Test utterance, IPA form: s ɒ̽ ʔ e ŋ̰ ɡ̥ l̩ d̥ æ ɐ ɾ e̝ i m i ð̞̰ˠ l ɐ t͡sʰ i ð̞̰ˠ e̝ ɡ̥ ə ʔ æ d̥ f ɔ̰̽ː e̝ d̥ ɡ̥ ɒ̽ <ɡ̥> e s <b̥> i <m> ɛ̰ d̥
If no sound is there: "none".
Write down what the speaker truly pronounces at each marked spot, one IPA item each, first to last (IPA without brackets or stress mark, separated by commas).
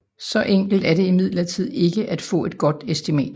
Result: d̥, d̥, m